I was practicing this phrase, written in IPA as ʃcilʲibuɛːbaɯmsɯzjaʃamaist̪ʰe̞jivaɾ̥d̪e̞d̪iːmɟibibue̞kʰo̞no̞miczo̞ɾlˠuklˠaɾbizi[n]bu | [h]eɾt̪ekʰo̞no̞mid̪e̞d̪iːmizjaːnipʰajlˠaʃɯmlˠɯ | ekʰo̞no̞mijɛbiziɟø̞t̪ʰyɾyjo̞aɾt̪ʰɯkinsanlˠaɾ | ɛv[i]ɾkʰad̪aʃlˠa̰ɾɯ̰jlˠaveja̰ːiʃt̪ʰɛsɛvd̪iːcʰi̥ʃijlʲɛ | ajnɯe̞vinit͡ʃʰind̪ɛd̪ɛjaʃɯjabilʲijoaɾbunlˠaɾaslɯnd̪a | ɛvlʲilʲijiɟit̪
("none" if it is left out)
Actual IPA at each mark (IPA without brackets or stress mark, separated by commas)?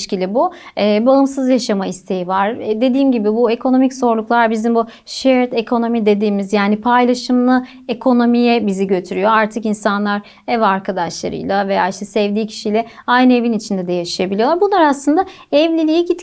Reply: m, ʃ, a